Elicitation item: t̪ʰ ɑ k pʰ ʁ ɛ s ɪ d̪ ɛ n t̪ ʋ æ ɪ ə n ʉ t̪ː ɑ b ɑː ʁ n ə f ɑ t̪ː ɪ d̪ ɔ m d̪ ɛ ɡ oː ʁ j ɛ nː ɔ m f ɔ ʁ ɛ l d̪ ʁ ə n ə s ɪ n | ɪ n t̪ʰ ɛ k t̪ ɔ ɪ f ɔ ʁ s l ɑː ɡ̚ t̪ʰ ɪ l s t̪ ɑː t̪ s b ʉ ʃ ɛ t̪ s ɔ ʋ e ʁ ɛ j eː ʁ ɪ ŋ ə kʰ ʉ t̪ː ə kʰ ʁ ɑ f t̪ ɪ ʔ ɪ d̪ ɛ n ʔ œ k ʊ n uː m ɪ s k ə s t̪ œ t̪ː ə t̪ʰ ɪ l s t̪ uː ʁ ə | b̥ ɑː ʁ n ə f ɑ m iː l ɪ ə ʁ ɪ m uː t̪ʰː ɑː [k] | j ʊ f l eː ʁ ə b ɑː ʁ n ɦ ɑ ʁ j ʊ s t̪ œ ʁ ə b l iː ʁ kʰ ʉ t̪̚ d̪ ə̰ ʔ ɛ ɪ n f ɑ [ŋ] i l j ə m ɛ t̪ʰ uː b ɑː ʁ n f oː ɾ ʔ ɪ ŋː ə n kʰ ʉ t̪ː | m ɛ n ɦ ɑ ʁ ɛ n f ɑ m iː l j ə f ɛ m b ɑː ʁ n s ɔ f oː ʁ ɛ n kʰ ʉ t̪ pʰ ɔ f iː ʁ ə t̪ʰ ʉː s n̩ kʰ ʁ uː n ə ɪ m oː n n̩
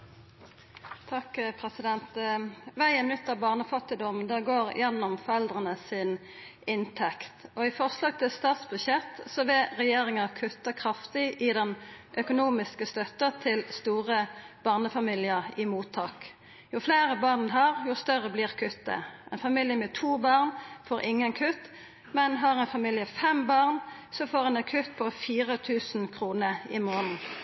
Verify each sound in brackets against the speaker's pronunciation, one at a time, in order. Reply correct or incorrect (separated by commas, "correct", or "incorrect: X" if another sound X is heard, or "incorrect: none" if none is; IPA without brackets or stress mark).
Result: correct, incorrect: m